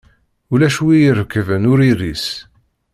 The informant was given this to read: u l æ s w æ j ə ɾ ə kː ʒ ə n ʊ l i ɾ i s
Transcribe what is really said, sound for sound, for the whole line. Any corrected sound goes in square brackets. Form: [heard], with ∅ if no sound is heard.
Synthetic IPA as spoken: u l æ [ʃ] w [i] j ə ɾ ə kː [v] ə n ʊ [ɾ] i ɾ i s

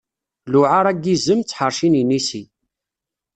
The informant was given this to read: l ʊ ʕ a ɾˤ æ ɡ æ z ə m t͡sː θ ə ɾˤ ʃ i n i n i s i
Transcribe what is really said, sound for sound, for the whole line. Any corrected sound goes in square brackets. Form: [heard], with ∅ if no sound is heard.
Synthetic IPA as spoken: l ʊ ʕ a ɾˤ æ ɡ [i] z ə m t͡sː [ħ] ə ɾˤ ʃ i n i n i s i

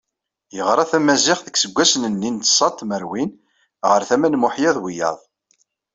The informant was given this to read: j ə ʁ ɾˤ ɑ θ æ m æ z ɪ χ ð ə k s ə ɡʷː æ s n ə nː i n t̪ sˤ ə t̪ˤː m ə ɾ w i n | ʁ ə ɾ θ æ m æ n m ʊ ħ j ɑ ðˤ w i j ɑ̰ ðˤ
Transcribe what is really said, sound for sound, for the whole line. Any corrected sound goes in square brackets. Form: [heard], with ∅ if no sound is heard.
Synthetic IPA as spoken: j ə ʁ ɾˤ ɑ θ æ m æ z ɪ χ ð ə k s ə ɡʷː æ s n ə nː i n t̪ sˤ [ɑ] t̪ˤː m ə ɾ w i n | ʁ ə ɾ θ æ m æ n m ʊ ħ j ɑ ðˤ w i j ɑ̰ ðˤ

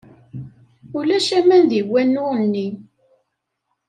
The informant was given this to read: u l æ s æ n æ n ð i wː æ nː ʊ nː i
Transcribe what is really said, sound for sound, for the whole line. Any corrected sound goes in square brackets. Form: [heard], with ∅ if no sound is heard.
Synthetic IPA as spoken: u l æ [ʃ] æ [m] æ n ð i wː æ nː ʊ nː i

